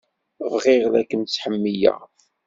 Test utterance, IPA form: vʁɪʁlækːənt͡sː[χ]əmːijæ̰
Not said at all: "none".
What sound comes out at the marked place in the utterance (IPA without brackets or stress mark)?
ħ